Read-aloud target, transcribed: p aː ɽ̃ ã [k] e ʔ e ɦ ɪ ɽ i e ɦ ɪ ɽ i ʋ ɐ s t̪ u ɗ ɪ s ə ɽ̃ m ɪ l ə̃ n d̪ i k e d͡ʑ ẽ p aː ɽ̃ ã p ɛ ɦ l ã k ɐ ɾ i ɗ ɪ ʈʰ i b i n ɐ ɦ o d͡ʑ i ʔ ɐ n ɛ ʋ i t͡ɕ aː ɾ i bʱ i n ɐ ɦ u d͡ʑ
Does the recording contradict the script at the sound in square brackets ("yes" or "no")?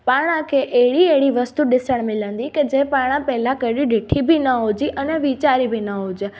yes